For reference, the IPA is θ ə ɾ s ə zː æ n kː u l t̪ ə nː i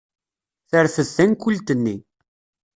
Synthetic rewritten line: θ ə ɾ θ ə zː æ n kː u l t̪ ə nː i